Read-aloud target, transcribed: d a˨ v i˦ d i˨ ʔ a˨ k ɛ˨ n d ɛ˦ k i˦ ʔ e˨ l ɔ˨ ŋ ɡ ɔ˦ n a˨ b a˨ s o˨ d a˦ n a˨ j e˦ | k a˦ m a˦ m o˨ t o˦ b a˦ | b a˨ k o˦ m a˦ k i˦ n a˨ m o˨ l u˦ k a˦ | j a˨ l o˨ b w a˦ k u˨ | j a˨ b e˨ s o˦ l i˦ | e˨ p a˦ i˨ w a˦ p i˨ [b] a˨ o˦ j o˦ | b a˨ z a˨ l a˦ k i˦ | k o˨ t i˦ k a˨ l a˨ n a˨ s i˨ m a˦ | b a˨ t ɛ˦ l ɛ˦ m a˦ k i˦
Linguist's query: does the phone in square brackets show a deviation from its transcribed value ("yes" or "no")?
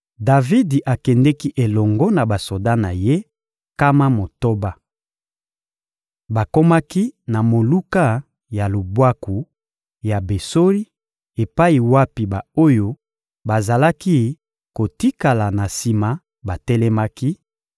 no